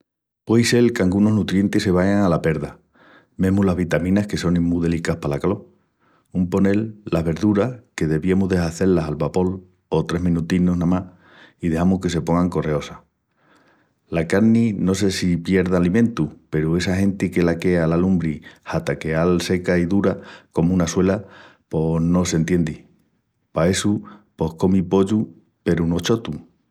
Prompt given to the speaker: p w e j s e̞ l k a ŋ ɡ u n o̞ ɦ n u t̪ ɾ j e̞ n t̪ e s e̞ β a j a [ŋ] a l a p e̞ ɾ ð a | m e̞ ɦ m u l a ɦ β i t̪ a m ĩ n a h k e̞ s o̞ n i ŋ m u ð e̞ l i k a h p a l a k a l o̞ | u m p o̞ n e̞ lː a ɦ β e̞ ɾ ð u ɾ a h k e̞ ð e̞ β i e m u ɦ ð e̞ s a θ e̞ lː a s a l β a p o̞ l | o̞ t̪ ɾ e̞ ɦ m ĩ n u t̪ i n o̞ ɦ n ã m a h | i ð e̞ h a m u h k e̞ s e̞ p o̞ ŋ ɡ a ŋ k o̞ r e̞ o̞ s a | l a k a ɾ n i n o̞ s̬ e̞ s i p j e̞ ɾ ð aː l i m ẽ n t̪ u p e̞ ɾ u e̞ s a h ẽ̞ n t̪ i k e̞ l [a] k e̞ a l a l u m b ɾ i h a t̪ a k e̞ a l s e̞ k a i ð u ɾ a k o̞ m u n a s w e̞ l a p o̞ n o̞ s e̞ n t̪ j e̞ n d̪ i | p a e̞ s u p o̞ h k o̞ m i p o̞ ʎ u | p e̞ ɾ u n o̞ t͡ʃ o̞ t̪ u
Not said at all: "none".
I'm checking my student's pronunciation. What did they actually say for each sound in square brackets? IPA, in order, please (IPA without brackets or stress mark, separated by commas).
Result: ŋ, a